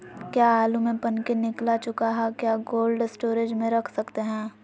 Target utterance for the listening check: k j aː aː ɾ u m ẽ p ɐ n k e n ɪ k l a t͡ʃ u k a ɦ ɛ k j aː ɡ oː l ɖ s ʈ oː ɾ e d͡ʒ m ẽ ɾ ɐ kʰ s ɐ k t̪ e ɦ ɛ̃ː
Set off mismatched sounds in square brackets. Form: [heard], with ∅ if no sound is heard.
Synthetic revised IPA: k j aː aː [l] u m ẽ p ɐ n k e n ɪ k l a t͡ʃ [ʊ] k a ɦ ɛ k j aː ɡ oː l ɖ s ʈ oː ɾ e d͡ʒ m ẽ ɾ ɐ kʰ s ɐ k t̪ e ɦ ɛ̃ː